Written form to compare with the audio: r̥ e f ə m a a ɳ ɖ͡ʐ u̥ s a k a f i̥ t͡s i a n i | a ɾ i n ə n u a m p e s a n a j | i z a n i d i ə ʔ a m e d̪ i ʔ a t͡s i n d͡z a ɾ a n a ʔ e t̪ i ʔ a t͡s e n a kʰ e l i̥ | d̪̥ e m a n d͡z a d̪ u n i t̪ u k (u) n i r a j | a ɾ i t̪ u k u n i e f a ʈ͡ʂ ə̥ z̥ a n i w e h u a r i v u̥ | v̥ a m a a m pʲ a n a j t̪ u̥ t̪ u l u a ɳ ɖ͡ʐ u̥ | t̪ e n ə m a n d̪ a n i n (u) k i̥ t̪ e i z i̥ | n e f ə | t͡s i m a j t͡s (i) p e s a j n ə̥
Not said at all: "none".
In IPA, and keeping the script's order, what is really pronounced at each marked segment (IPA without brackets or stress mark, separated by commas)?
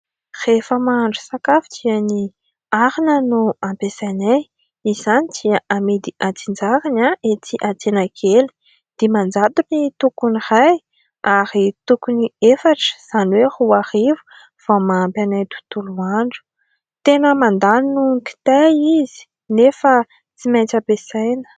u, u, a